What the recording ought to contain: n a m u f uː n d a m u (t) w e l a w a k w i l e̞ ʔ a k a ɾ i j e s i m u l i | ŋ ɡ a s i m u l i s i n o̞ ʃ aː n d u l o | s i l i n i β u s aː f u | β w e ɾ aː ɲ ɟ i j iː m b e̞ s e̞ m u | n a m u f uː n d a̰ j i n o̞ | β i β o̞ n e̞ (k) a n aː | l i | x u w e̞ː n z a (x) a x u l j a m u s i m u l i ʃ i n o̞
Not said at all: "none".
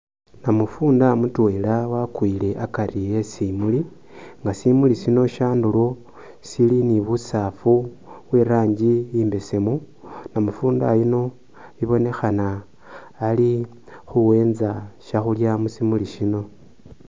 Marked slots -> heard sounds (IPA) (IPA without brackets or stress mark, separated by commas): t, x, ʃ